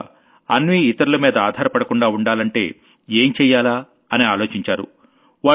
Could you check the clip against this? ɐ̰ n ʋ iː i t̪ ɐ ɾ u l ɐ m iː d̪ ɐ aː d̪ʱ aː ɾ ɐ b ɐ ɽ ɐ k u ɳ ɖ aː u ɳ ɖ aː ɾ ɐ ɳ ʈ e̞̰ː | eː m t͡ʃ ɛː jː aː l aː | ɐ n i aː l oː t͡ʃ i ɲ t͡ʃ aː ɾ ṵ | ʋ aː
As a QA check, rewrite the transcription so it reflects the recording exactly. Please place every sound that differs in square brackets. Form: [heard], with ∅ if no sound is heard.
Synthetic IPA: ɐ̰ n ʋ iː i t̪ ɐ ɾ u l ɐ m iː d̪ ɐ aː d̪ʱ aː ɾ ɐ [p] ɐ ɽ ɐ k u ɳ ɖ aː u ɳ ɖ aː [l] ɐ ɳ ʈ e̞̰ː | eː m t͡ʃ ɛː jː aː l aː | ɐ n i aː l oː t͡ʃ i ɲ t͡ʃ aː ɾ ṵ | ʋ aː